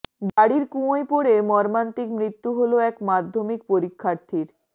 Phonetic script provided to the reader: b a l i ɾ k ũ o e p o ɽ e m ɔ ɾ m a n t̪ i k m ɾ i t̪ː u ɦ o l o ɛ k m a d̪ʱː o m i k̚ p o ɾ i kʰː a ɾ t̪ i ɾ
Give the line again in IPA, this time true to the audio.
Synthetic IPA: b a ɽ i ɾ k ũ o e p o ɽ e m ɔ ɾ m a n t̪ i k m ɾ i t̪ː u ɦ o l o ɛ k m a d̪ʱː o m i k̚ p o ɾ i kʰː a ɾ t̪ʰ i ɾ